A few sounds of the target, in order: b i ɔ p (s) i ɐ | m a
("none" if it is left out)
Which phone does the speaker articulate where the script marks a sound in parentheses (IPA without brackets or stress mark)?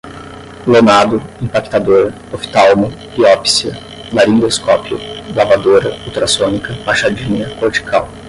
s